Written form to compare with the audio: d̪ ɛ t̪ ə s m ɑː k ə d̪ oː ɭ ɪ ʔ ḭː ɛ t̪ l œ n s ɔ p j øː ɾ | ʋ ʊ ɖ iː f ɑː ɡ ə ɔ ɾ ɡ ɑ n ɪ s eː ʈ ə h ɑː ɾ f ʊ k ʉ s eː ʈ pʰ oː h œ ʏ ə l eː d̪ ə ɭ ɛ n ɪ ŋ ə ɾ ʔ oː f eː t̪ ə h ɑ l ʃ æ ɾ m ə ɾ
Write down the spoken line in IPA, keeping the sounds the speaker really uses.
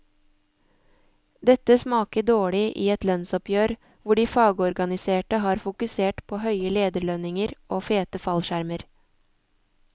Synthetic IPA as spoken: d̪ ɛ t̪ ə s m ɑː k ə d̪ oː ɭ ɪ ʔ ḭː ɛ t̪ l œ n s ɔ p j øː ɾ | ʋ ʊ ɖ iː f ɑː ɡ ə ɔ ɾ ɡ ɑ n ɪ s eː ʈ ə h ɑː ɾ f ʊ k ʉ s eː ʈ pʰ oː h œ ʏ ə l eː d̪ ə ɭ œ n ɪ ŋ ə ɾ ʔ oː f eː t̪ ə f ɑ l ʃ æ ɾ m ə ɾ